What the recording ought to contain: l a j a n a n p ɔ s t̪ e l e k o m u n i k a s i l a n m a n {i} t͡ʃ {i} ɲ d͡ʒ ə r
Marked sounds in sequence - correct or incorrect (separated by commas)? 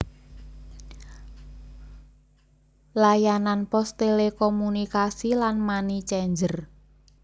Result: correct, incorrect